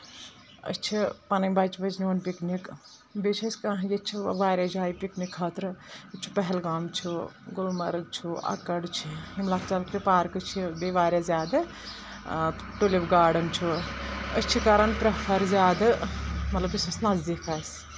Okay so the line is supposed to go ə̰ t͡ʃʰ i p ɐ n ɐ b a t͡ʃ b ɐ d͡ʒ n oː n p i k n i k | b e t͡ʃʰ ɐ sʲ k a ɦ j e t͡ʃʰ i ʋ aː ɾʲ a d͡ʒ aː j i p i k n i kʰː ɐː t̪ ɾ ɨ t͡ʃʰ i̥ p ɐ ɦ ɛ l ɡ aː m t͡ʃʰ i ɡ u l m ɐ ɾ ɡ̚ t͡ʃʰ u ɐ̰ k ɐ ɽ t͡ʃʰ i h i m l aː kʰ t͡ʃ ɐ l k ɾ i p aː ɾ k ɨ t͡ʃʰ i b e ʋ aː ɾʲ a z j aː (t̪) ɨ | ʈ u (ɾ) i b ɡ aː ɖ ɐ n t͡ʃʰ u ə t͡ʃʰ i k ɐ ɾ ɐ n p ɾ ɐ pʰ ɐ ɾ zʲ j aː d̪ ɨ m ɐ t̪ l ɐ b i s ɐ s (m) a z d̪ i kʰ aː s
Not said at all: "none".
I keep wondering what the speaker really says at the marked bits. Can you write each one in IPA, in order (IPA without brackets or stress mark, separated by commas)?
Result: d̪, l, n